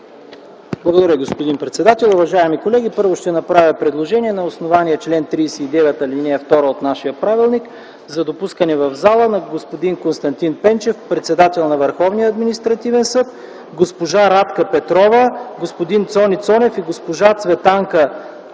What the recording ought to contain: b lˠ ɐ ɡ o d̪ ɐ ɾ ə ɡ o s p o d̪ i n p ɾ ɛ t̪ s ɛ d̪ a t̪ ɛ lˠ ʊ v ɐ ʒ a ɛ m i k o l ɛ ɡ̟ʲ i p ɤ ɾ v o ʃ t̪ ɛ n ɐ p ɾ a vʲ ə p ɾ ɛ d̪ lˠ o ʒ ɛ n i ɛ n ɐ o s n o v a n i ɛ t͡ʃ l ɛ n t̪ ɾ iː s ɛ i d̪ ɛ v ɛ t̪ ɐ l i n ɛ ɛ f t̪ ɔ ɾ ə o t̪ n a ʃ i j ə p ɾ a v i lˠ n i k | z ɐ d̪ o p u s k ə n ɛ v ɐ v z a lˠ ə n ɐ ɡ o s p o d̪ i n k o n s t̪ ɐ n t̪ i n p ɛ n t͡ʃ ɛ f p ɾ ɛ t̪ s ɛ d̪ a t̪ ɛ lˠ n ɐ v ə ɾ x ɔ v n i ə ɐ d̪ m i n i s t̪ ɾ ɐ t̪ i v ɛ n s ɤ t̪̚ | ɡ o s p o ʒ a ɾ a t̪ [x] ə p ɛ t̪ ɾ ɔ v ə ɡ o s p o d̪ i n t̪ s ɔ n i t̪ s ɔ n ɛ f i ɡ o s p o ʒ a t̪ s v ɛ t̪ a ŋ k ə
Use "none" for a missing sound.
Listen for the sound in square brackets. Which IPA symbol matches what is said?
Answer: k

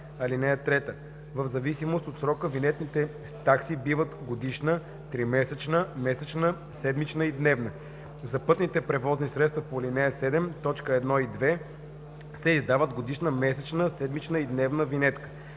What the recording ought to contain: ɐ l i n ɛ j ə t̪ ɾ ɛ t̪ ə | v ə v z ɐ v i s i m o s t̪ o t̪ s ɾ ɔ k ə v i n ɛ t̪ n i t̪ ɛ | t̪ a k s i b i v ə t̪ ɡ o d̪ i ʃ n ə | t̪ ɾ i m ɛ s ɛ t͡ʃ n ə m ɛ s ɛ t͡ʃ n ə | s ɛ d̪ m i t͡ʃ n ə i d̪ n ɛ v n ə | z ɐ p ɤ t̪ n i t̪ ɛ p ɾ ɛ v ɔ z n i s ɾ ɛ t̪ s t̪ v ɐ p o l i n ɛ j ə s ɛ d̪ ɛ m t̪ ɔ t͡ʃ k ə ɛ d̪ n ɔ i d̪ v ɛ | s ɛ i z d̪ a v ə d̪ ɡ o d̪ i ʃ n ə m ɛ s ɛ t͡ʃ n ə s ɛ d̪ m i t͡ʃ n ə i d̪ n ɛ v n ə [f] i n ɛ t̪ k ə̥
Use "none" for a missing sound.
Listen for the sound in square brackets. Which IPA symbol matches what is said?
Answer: v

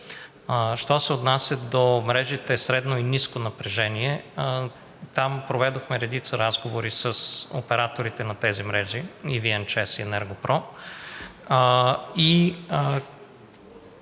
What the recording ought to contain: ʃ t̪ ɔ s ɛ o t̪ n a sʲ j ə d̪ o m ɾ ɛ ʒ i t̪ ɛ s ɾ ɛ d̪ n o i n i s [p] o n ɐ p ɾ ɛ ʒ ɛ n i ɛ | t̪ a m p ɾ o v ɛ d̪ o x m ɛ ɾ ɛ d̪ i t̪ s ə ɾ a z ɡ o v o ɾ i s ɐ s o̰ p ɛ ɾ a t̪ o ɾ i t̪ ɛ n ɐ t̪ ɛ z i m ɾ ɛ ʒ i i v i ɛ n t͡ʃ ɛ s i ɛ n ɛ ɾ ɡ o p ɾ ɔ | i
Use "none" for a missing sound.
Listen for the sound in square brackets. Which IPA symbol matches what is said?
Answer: k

